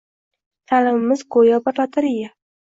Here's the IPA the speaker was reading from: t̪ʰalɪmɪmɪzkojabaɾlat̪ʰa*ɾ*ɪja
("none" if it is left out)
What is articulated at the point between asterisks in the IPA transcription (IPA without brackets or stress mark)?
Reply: ɾ